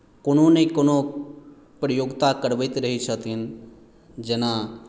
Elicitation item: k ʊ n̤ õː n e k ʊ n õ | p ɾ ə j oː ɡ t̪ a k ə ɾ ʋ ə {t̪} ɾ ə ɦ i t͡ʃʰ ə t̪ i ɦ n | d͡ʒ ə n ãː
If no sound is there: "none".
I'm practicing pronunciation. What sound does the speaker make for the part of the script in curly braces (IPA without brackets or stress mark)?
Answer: t̪